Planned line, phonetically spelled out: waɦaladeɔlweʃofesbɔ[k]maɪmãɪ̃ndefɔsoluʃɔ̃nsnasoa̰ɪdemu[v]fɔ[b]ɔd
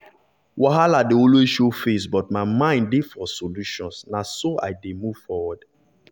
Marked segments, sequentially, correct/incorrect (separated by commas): incorrect, correct, incorrect